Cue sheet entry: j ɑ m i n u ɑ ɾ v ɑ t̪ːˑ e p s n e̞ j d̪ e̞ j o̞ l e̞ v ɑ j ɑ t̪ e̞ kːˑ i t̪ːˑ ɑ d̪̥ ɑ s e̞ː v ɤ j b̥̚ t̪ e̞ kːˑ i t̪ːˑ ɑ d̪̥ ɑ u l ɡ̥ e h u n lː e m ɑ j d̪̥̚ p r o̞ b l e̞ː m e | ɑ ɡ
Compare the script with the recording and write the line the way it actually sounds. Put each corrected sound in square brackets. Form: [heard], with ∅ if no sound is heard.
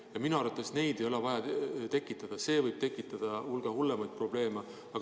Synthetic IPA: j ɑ m i n u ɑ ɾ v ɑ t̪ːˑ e [∅] s n e̞ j d̪ e̞ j o̞ l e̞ v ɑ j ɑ t̪ e̞ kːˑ i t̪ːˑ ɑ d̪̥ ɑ s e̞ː v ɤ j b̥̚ t̪ e̞ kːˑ i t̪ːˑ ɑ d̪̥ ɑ u l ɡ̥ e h u [∅] lː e m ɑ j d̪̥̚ p r o̞ b l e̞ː m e | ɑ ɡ